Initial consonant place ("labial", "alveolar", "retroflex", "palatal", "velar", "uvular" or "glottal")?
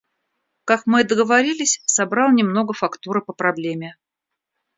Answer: velar